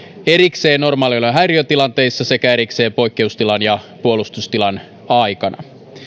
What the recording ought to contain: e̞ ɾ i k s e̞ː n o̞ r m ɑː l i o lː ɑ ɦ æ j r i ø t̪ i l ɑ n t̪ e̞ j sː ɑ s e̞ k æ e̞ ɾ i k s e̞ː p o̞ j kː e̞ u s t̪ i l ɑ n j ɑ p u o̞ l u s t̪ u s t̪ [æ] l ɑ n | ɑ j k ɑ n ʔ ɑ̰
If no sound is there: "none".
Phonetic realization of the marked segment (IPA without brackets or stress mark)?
i